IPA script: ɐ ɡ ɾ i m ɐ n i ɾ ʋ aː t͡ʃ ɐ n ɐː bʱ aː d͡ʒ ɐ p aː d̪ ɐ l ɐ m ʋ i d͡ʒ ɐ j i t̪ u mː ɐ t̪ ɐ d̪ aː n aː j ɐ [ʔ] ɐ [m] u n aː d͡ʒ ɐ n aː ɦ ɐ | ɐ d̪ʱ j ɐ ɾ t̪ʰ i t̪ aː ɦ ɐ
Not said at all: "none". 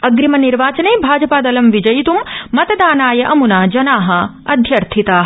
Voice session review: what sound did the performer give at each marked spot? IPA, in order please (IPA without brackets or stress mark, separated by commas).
ʔ, m